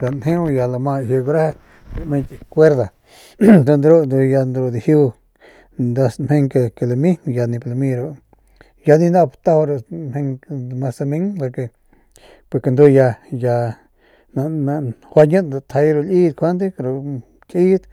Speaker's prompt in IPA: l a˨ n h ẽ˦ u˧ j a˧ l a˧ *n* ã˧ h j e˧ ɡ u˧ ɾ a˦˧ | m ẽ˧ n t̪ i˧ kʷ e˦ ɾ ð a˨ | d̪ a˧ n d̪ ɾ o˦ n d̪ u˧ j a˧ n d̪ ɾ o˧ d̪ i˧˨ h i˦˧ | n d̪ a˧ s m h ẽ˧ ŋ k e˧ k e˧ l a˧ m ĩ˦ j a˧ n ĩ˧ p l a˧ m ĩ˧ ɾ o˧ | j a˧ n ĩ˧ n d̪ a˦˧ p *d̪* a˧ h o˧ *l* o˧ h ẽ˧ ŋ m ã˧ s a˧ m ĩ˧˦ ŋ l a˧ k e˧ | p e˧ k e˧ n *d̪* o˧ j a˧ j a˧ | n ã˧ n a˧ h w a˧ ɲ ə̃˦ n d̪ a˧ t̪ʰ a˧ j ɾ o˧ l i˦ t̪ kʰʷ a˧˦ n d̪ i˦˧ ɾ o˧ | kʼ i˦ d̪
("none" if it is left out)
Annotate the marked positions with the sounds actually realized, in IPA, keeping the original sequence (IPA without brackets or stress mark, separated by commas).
m, t̪, ɾ, d̪